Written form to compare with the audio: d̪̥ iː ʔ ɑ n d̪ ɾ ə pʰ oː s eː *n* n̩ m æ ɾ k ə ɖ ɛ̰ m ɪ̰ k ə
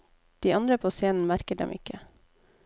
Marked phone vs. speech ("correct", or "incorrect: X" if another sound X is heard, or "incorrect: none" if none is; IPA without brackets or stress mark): correct